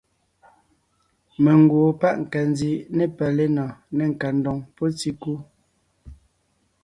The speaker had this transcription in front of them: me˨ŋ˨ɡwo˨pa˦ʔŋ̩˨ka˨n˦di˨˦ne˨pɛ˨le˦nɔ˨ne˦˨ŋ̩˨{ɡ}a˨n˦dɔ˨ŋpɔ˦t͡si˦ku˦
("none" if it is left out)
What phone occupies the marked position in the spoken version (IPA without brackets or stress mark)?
k